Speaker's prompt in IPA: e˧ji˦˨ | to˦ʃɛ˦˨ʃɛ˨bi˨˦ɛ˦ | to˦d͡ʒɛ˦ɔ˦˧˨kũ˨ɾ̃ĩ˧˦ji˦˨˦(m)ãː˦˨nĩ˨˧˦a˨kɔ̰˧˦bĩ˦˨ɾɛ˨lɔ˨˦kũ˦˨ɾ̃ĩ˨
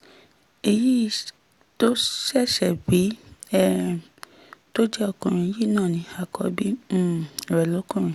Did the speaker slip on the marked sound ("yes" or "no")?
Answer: yes